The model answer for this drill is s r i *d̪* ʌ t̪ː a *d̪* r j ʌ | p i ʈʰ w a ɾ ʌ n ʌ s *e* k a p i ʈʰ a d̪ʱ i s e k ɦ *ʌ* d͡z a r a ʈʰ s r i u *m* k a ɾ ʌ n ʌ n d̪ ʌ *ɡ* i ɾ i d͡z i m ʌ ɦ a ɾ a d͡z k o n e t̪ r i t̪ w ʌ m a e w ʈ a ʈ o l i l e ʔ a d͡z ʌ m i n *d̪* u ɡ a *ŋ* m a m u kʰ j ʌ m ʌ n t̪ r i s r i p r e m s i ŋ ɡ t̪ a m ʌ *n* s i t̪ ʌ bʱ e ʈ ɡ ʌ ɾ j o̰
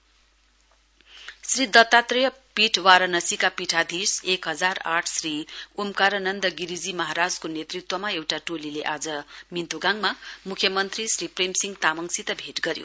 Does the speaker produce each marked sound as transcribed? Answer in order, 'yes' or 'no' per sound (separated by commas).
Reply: yes, no, no, yes, yes, yes, no, yes, no